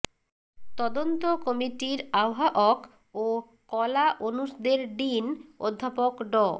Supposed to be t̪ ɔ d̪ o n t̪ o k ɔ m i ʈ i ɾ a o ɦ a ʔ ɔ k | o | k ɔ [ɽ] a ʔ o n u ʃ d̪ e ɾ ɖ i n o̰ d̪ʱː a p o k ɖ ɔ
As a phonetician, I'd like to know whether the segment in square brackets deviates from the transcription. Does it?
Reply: yes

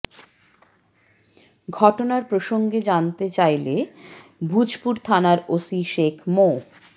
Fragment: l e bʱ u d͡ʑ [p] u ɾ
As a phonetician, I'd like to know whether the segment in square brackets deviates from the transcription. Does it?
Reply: no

